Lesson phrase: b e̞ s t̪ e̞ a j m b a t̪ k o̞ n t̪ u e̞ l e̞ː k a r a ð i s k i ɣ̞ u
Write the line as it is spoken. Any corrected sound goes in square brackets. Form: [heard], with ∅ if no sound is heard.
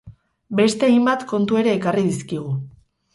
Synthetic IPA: b e̞ s t̪ e̞ a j m b a t̪ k o̞ n t̪ u e̞ [ɾ] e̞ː k a r [i] ð i s k i ɣ̞ u